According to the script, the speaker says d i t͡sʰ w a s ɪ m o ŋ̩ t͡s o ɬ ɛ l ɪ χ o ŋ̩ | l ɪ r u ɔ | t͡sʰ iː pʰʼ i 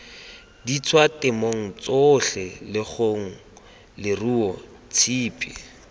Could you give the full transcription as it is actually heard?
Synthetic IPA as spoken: d i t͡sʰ w a t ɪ m o ŋ̩ t͡s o ɬ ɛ l ɪ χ o ŋ̩ | l ɪ r u ɔ | t͡sʰ iː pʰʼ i